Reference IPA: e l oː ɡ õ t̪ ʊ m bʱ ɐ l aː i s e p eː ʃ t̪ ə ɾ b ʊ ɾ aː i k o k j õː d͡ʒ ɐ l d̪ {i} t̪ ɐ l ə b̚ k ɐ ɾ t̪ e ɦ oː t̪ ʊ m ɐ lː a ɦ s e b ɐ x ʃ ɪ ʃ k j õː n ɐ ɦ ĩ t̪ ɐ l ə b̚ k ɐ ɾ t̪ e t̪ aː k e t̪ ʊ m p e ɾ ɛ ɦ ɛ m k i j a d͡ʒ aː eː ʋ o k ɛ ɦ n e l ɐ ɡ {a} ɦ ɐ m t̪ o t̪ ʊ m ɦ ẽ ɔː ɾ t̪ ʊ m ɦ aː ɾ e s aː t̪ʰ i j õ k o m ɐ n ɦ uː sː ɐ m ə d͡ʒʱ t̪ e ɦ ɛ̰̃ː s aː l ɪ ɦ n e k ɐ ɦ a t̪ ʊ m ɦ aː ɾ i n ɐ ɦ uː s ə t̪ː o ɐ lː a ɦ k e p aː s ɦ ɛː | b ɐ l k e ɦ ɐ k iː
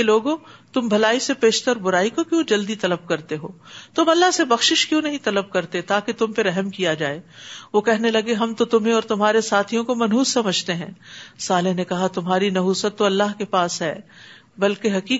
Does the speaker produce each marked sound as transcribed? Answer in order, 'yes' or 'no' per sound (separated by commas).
yes, no